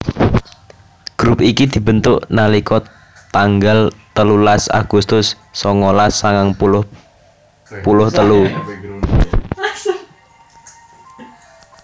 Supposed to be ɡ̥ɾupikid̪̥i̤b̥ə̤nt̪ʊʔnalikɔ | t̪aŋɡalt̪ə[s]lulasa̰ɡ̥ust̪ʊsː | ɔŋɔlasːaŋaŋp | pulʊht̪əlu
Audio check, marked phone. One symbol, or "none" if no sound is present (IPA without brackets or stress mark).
none